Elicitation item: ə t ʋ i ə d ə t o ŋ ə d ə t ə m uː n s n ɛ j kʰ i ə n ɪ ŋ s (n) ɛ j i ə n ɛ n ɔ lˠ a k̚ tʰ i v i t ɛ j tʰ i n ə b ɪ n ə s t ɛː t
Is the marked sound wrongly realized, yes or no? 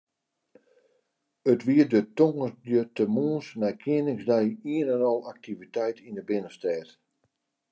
yes